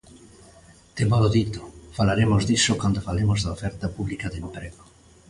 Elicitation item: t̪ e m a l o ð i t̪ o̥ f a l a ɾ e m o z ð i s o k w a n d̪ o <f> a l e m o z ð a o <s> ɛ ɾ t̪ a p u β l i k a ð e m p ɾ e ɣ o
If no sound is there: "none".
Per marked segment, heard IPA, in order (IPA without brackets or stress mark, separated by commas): f, f